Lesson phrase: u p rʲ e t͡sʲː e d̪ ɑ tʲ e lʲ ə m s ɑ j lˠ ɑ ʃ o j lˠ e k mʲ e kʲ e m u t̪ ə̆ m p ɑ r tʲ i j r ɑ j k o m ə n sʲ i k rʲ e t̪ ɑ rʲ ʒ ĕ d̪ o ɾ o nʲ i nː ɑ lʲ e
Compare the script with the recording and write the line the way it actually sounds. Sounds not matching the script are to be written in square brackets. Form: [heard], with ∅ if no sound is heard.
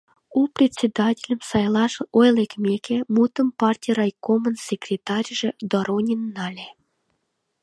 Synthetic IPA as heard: u p rʲ e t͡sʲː e d̪ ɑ tʲ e lʲ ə m s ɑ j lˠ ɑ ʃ o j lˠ e k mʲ e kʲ e m u t̪ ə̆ m p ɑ r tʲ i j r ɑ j k o m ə n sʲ [e] k rʲ e t̪ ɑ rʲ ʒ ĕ d̪ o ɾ o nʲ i nː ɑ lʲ e